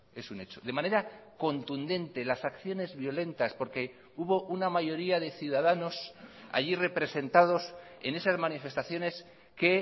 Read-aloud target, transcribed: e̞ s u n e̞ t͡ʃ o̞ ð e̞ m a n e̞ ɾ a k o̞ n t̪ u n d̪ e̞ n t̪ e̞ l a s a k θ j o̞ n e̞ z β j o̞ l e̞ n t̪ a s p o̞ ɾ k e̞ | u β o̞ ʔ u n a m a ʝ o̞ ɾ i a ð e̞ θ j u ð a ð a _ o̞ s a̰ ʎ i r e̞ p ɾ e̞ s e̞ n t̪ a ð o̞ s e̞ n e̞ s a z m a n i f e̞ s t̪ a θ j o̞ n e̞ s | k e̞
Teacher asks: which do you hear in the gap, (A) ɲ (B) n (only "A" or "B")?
B